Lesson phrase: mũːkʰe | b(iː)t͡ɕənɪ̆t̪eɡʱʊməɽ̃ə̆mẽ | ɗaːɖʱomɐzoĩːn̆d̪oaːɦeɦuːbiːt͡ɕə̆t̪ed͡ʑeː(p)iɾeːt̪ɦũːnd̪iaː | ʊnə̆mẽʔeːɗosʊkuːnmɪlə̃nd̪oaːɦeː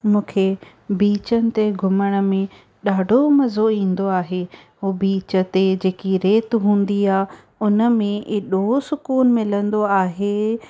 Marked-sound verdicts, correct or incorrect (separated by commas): correct, incorrect